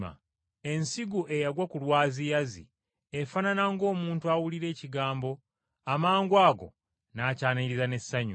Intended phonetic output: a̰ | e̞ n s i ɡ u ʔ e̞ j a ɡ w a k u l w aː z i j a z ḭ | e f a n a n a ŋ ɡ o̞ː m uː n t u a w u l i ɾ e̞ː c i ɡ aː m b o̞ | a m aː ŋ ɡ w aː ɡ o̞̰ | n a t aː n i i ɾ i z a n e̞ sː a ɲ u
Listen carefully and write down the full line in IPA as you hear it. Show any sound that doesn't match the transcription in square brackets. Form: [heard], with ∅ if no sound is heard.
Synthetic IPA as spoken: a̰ | e̞ n s i ɡ u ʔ e̞ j a ɡ w a k u l w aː z i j a z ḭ | e f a n a n a ŋ ɡ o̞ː m uː n t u a w u l i ɾ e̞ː c i ɡ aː m b o̞ | a m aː ŋ ɡ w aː ɡ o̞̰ | n a [c] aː n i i ɾ i z a n e̞ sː a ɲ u